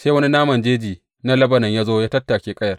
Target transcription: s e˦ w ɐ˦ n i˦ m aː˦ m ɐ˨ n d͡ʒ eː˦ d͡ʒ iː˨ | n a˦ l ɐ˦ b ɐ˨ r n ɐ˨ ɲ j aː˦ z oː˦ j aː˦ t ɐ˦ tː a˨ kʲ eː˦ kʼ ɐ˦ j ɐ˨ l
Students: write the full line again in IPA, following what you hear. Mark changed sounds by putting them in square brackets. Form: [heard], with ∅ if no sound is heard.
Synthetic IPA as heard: s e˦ w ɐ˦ n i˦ [n] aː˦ m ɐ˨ n d͡ʒ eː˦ d͡ʒ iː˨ | n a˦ l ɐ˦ b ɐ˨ [∅] n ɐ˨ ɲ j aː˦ z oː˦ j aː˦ t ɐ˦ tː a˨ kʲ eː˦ kʼ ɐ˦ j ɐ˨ [r]